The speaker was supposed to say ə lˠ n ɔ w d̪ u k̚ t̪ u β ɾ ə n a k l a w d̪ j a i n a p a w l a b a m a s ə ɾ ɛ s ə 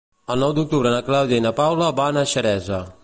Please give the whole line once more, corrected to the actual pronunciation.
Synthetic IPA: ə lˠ n ɔ w d̪ u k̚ t̪ u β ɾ ə n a k l a w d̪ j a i n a p a w l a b a n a ʃ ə ɾ ɛ z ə